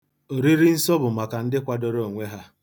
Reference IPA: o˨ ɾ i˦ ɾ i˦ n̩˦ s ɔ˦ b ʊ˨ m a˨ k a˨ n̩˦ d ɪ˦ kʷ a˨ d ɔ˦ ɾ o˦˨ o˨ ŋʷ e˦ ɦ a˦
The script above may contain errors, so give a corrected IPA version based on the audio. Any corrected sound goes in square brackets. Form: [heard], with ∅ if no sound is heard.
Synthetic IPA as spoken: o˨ ɾ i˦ ɾ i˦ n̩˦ s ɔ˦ b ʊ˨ m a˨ k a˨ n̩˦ d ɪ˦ kʷ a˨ d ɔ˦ ɾ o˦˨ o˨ ŋʷ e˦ ɦ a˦